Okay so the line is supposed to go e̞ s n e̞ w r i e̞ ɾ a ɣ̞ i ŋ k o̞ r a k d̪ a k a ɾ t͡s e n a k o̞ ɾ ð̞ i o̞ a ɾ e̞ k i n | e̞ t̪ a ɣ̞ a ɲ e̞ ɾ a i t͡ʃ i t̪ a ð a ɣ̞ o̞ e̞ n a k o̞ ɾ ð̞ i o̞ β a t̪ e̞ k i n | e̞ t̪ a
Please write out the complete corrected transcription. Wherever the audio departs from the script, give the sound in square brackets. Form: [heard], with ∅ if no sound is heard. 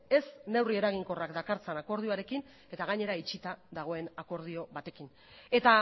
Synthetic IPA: e̞ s n e̞ w r i e̞ ɾ a ɣ̞ i ŋ k o̞ r a k d̪ a k a ɾ t͡s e n a k o̞ ɾ ð̞ i o̞ a ɾ e̞ k i n | e̞ t̪ a ɣ̞ a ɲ e̞ ɾ a i t͡ʃ i t̪ a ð a ɣ̞ o̞ e̞ n a k o̞ ɾ ð̞ i o̞ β a t̪ e̞ k i n | e̞ t̪ a